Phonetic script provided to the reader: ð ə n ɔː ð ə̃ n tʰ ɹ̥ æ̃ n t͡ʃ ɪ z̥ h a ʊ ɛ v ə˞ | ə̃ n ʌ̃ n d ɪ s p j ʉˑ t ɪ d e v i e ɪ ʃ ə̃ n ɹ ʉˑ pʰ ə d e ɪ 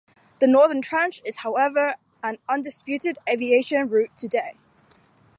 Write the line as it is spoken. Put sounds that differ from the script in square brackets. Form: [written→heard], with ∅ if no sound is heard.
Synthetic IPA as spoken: ð ə n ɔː ð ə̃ n tʰ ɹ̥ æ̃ n t͡ʃ ɪ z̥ h a ʊ ɛ v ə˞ | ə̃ n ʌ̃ n d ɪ s p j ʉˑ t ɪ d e v i e ɪ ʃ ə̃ n ɹ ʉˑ [pʰ→tʰ] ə d e ɪ

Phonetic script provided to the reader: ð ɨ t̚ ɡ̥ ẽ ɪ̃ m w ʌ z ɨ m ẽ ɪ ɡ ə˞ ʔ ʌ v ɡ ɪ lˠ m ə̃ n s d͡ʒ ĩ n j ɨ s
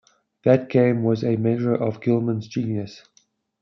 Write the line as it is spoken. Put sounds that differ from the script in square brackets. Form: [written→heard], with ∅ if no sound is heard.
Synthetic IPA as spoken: ð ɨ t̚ ɡ̥ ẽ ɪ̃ m w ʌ z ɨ m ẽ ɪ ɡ ə˞ ʔ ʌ v ɡ ɪ lˠ m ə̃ n [s→z] d͡ʒ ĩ n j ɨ s

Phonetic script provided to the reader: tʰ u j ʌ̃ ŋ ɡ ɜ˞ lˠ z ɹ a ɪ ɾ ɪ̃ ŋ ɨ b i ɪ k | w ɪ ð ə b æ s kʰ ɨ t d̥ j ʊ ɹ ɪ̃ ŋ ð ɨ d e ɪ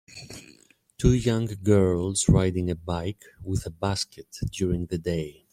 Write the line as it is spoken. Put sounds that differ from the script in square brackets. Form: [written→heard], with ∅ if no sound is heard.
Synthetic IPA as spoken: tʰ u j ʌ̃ ŋ ɡ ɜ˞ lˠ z ɹ a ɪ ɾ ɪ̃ ŋ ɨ b [i→a] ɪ k | w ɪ ð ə b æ s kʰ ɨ t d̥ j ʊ ɹ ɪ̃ ŋ ð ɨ d e ɪ

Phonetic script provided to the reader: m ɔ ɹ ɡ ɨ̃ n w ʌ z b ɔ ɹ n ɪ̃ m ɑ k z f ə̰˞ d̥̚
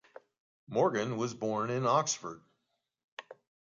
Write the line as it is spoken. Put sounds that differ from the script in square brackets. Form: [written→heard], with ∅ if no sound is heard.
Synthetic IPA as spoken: m ɔ ɹ ɡ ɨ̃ n w ʌ z b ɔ ɹ n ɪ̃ [m→n] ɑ k [z→s] f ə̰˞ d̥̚

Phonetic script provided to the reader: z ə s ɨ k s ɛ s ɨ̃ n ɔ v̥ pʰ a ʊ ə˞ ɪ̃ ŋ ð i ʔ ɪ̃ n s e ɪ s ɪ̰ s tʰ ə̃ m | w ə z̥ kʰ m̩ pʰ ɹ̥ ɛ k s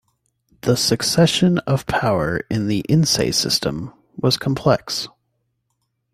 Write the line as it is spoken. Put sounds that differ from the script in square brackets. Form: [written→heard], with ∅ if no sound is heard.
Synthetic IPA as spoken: [z→ð] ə s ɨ k s ɛ [s→ʃ] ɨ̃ n [ɔ→ʌ] v̥ pʰ a ʊ ə˞ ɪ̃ [ŋ→n] ð i ʔ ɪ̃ n s e ɪ s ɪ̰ s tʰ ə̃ m | w [ə→ʌ] z̥ kʰ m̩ pʰ [ɹ̥→l̥] ɛ k s

